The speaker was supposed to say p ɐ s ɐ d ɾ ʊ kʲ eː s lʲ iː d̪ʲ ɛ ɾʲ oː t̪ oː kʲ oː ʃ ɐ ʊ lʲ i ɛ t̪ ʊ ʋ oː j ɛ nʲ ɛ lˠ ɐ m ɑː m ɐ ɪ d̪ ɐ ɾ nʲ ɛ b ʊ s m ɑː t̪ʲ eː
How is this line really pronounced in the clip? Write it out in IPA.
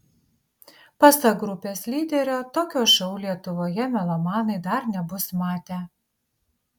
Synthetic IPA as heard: p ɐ s ɐ ɡ ɾ ʊ pʲ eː s lʲ iː d̪ʲ ɛ ɾʲ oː t̪ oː kʲ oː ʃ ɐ ʊ lʲ i ɛ t̪ ʊ ʋ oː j ɛ mʲ ɛ lˠ ɐ m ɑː n ɐ ɪ d̪ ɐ ɾ nʲ ɛ b ʊ s m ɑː t̪ʲ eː